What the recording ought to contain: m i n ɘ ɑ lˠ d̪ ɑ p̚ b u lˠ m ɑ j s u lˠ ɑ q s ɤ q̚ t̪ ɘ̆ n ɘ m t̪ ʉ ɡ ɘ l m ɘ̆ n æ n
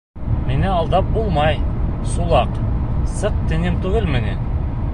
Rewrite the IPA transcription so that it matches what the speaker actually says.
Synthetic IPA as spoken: m i n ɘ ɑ lˠ d̪ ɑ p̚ b u lˠ m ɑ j s u lˠ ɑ q s ɤ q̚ t̪ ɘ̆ n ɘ m t̪ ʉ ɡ ɘ l m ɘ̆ n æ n